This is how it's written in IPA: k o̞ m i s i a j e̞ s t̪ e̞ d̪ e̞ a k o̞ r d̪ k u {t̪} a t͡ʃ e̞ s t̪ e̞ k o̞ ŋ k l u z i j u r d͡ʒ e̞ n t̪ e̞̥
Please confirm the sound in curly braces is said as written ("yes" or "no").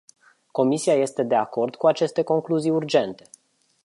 no